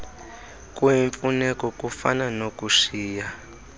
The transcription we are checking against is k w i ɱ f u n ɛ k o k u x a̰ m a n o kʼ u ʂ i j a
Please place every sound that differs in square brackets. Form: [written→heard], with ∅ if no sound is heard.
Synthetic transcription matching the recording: k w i ɱ f u n ɛ k [o→ɔ] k u [x→f] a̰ [m→n] a n o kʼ u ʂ [i→iː] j a